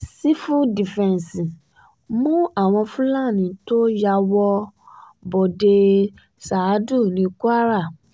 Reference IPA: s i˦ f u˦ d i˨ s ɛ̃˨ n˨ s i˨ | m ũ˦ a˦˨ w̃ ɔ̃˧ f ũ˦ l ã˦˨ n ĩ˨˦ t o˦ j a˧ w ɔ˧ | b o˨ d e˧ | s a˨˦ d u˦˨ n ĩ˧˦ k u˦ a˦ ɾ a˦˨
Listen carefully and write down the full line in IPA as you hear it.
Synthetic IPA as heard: s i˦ f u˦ d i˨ f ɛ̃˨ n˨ s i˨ | m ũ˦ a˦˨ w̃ ɔ̃˧ f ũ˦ l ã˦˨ n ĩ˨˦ t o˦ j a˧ w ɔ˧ | b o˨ d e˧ | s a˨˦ d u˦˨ n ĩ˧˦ k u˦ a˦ ɾ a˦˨

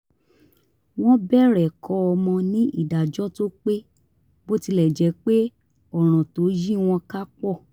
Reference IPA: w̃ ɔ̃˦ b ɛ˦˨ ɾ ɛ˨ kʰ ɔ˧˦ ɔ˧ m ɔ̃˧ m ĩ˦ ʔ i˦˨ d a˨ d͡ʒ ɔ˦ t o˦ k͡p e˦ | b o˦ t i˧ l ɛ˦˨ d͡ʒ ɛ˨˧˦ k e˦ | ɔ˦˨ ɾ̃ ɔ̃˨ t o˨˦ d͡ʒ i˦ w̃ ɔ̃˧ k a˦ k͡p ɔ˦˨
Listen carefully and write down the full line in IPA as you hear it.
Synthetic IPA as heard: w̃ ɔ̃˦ b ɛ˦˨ ɾ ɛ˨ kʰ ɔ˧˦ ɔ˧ m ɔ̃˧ n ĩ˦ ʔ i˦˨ d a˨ d͡ʒ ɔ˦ t o˦ k͡p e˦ | b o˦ t i˧ l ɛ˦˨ d͡ʒ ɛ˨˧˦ k͡p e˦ | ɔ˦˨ ɾ̃ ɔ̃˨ t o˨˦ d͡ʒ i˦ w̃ ɔ̃˧ k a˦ k͡p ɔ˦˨

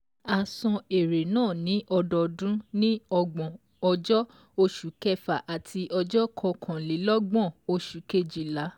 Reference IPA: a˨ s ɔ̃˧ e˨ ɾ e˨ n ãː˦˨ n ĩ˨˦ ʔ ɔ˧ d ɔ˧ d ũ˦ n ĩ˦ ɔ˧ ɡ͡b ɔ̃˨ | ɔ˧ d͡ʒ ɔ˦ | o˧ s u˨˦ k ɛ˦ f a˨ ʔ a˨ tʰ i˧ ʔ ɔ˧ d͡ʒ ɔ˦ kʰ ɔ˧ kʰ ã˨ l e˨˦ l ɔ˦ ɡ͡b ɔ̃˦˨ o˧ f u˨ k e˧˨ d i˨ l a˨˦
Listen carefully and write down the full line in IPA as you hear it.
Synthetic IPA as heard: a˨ s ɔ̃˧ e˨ ɾ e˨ n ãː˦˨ n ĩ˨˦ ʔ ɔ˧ d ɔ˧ d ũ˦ n ĩ˦ ɔ˧ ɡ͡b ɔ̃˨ | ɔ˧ d͡ʒ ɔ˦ | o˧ ʃ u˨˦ k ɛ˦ f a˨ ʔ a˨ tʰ i˧ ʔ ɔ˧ d͡ʒ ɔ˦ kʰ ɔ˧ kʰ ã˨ l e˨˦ l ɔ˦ ɡ͡b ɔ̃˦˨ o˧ ʃ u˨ k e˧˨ d͡ʒ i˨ l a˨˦

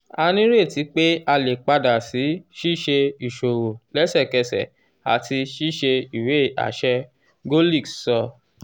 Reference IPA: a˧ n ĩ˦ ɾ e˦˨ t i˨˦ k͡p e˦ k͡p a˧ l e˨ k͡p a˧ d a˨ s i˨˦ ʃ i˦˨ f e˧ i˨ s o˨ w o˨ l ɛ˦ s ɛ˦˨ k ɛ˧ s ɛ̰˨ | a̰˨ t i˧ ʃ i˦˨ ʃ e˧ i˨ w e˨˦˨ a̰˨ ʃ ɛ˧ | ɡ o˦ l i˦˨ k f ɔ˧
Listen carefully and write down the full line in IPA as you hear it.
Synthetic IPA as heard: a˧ n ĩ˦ ɾ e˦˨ t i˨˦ k͡p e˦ a˧ l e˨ k͡p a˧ d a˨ s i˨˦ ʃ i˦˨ ʃ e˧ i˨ ʃ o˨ w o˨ l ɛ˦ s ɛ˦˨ k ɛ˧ s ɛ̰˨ | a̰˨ t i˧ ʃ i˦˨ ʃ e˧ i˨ w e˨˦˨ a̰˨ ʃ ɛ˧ | ɡ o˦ l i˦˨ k s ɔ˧

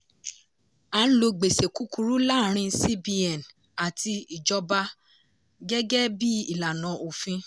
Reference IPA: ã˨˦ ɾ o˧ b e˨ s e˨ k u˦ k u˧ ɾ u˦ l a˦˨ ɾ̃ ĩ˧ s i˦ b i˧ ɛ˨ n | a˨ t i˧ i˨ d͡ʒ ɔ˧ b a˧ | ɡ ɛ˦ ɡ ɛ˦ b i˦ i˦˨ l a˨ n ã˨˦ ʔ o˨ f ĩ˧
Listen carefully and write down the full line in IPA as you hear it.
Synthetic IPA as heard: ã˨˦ l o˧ ɡ͡b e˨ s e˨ k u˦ k u˧ ɾ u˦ l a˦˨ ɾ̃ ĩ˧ s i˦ b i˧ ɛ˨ n | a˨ t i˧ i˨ d͡ʒ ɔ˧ b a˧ | ɡ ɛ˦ ɡ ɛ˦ b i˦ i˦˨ l a˨ n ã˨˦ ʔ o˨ f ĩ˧

